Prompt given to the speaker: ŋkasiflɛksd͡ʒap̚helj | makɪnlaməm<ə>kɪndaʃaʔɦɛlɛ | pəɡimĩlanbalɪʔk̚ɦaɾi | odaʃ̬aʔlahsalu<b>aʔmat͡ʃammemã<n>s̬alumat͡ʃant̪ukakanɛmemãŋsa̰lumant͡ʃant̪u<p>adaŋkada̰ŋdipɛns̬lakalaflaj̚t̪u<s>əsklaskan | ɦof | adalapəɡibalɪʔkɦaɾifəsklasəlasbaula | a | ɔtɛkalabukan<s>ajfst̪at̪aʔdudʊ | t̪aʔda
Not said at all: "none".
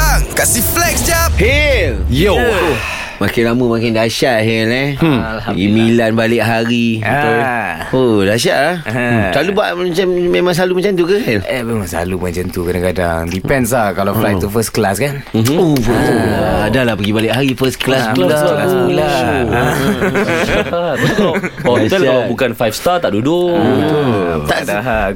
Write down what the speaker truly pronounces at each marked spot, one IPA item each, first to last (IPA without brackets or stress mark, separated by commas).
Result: a, b, ŋ, k, f, f